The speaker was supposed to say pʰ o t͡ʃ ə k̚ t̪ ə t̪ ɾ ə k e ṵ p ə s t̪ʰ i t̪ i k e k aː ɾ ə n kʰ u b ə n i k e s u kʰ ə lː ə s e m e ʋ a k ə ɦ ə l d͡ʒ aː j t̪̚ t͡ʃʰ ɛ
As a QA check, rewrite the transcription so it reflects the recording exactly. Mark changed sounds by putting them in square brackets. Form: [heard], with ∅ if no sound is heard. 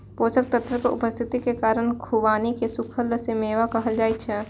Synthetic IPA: [p] o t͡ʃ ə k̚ t̪ ə t̪ ɾ ə k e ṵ p ə s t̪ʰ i t̪ i k e k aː ɾ ə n kʰ u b [a] n i k e s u kʰ ə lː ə s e m e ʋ a k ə ɦ ə l d͡ʒ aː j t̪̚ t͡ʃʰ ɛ